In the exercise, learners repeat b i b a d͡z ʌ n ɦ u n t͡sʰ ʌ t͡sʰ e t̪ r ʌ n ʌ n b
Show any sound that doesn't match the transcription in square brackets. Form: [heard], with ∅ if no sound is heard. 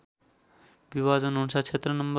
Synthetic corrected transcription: b i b a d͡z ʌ n ɦ u n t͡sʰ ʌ t͡sʰ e t̪ r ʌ n ʌ [m] b